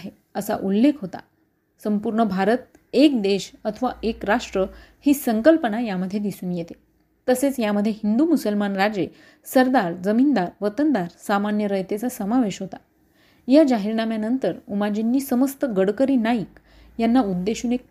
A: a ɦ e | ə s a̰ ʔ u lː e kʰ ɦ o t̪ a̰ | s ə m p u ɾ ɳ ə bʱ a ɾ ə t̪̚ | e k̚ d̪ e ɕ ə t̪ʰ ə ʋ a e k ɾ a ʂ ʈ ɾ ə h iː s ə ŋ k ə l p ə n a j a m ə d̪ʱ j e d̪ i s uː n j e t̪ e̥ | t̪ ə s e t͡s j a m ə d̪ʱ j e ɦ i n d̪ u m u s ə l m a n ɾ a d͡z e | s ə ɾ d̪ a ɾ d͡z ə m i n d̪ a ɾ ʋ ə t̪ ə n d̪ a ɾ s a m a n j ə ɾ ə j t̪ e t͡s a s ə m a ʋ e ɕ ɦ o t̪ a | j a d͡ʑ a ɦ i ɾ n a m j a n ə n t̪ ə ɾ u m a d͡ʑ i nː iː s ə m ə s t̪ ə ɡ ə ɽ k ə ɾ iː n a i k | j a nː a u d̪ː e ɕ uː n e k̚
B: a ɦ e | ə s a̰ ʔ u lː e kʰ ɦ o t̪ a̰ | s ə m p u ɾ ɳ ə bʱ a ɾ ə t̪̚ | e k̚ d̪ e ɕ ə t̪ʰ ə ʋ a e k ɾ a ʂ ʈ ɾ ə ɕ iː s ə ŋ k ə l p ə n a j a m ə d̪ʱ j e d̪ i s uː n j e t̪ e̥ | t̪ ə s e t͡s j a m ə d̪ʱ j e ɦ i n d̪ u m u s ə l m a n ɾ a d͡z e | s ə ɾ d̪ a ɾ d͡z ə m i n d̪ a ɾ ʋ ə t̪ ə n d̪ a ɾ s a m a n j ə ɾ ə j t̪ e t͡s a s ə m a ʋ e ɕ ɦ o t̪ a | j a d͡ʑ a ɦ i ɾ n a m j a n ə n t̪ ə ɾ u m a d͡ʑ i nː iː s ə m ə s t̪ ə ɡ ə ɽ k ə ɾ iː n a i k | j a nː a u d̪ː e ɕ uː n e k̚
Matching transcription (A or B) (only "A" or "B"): A